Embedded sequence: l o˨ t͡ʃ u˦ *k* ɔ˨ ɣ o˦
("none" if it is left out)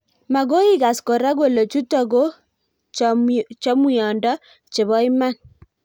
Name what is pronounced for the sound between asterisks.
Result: t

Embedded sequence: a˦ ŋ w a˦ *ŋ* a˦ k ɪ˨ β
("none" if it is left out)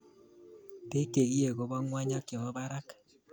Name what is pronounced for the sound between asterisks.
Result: ɲ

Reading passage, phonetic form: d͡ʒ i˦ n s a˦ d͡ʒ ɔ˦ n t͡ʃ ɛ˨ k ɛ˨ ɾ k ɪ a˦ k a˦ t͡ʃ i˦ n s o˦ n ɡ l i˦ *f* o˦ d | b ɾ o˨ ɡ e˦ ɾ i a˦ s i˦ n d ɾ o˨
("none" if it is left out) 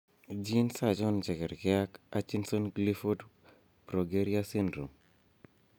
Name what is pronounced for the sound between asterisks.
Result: f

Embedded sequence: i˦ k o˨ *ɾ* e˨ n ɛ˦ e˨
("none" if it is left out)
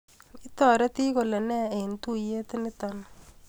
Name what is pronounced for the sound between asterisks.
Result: l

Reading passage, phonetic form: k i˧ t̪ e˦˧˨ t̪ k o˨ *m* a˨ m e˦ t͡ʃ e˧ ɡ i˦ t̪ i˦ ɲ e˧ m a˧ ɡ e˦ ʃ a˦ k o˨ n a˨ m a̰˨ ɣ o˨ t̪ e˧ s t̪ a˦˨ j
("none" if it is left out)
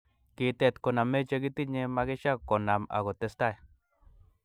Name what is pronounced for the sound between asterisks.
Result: n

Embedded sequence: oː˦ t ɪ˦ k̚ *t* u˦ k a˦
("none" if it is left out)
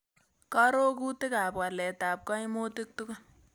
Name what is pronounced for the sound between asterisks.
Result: t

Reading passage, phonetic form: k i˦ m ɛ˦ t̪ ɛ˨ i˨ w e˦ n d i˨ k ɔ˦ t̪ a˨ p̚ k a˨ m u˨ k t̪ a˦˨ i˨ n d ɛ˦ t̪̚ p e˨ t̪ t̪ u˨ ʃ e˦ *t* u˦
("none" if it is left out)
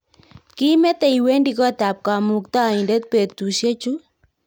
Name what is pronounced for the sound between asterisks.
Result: t͡ʃ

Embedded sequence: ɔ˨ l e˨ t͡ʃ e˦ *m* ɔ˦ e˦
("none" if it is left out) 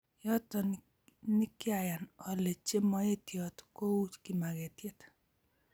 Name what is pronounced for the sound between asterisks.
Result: m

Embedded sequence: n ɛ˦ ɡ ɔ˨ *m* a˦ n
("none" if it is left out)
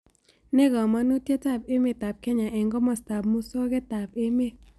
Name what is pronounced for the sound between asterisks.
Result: m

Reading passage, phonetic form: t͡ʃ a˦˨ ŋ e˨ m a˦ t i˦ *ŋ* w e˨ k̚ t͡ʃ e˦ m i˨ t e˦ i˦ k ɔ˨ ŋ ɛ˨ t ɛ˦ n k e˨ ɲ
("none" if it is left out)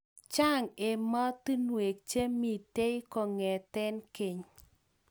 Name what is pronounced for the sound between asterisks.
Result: n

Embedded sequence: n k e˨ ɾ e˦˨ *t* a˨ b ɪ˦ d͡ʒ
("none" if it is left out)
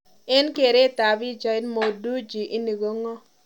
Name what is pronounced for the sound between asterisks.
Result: t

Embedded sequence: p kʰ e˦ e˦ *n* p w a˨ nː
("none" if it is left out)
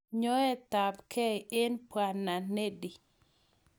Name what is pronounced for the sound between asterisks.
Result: n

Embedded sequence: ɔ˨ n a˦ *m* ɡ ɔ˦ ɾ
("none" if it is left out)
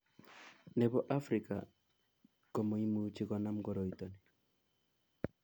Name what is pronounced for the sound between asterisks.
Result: m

